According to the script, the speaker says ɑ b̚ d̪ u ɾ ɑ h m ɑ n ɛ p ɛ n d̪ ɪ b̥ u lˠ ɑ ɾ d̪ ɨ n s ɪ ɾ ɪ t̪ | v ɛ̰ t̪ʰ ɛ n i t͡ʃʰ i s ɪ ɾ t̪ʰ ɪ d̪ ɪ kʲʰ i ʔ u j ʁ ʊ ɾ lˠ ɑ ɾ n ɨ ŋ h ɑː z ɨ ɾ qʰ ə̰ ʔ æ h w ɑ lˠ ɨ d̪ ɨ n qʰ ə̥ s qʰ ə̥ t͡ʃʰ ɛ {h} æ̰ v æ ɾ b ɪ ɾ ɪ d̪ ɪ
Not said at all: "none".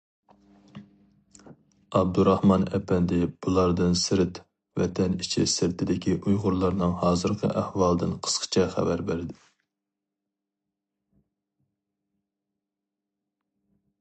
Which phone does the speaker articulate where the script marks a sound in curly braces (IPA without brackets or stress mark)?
χ